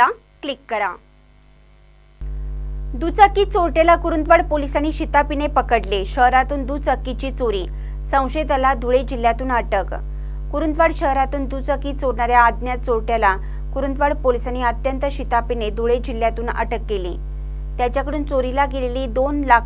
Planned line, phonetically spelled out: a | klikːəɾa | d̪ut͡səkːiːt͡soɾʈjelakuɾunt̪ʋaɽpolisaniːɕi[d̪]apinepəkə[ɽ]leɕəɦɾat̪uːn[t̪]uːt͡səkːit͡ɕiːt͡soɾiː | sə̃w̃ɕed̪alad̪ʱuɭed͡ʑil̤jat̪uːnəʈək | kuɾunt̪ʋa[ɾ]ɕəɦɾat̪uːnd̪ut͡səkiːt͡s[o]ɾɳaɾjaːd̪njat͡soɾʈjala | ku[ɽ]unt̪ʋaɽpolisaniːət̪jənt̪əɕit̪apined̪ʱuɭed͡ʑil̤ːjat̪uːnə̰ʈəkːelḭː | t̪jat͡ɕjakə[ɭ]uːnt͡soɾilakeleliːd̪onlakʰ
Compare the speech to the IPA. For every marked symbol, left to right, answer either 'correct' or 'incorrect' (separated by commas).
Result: incorrect, correct, incorrect, incorrect, correct, incorrect, incorrect